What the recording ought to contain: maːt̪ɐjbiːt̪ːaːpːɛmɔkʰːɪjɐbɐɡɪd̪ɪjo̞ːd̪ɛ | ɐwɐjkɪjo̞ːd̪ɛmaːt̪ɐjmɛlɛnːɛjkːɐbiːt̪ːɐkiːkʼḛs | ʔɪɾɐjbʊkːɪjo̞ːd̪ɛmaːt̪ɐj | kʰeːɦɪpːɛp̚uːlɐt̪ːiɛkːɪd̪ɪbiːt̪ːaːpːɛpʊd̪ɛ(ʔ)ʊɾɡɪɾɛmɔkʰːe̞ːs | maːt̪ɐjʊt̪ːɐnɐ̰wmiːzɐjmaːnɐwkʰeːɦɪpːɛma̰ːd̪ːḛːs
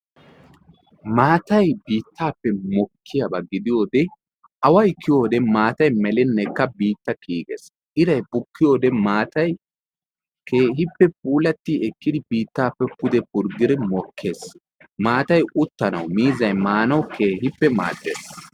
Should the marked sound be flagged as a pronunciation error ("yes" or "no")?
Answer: yes